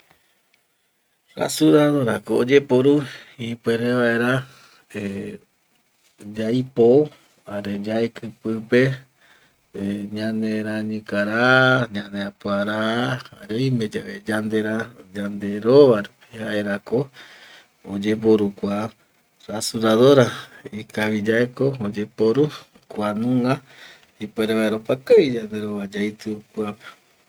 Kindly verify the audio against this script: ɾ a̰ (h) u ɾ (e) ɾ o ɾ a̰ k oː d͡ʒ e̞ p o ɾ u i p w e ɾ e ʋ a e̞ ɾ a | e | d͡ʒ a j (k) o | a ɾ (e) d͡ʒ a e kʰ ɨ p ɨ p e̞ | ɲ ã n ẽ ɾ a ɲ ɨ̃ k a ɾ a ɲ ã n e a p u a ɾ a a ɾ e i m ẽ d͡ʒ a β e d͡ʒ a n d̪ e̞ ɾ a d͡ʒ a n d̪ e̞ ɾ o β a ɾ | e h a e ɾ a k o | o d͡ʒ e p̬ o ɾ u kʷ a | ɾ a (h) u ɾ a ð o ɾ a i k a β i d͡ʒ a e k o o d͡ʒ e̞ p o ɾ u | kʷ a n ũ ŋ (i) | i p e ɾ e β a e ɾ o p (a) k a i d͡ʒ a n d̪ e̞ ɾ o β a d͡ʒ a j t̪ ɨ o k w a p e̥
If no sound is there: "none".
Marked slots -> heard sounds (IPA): s, a, p, e, s, a, a

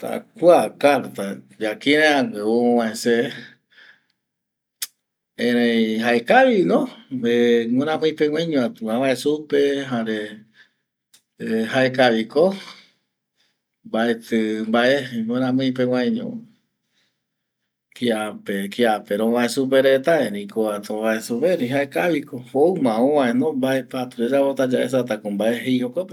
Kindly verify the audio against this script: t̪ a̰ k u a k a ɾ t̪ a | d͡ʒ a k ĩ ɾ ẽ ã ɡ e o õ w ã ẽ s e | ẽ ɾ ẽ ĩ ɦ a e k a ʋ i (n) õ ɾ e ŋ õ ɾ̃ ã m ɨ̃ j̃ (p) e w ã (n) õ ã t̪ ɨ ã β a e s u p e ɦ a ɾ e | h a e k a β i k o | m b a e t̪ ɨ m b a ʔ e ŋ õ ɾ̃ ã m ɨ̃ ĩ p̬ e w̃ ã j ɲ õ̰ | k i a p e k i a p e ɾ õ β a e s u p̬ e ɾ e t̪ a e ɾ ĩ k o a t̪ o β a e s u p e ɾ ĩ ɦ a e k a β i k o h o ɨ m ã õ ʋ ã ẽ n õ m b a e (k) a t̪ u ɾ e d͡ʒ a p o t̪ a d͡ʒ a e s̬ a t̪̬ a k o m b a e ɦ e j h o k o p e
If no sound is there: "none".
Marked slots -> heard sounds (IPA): n, p, ɲ, p

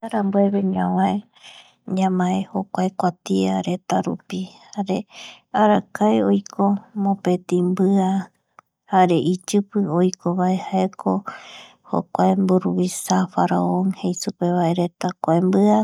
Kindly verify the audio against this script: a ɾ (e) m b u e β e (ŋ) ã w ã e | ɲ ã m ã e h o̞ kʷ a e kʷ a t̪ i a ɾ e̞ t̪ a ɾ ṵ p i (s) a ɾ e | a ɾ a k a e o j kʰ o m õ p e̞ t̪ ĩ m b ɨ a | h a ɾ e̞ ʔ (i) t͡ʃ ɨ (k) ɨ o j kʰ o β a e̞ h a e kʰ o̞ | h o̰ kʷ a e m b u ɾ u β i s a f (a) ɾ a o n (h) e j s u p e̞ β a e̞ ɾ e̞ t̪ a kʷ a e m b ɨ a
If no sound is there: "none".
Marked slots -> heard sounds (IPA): a, ɲ, h, i, p, a, h

